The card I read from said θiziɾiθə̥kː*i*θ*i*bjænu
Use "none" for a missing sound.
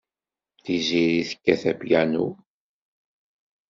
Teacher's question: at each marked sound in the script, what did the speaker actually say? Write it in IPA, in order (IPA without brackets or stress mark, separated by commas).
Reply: æ, æ